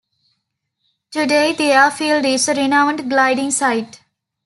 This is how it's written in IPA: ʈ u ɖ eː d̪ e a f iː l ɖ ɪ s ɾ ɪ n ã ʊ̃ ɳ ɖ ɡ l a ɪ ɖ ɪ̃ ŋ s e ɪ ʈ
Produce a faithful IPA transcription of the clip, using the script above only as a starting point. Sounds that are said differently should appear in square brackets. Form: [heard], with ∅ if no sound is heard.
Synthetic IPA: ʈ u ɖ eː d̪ e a f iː l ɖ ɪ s ɾ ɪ n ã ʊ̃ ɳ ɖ ɡ l a ɪ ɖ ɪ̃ ŋ s [a] ɪ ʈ